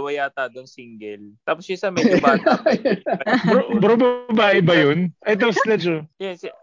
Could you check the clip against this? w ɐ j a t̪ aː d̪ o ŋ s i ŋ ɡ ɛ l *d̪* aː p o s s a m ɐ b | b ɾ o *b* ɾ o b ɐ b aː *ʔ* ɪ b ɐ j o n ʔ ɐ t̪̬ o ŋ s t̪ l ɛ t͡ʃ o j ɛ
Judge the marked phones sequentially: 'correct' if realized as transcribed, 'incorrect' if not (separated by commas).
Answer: incorrect, correct, correct